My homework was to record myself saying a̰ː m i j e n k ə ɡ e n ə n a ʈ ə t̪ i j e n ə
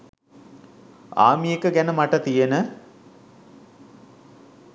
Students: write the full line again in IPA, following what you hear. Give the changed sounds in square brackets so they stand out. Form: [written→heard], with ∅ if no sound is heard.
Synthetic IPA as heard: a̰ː m i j e [n→∅] k ə ɡ [e→æ] n ə [n→m] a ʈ ə t̪ i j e n ə